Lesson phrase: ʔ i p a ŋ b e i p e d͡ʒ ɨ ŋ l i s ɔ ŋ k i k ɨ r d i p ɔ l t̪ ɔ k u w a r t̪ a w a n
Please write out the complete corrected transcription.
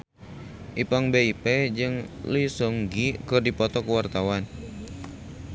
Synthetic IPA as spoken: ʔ i p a ŋ b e i p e d͡ʒ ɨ ŋ l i s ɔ ŋ ɡ i k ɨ r d i p ɔ t̪ ɔ k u w a r t̪ a w a n